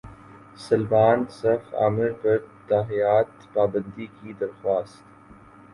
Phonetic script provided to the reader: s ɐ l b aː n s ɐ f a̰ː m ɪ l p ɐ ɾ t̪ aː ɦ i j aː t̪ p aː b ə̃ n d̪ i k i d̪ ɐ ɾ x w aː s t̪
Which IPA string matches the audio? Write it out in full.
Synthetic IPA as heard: s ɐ l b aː n s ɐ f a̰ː m ɪ ɾ p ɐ ɾ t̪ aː ɦ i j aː t̪ p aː b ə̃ n d̪ i k i d̪ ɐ ɾ x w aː s t̪

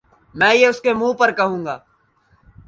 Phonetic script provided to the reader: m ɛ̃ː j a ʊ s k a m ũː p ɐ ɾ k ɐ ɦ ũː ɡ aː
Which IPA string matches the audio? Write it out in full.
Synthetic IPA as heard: m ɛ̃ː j e ʊ s k e m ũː p ɐ ɾ k ɐ ɦ ũː ɡ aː

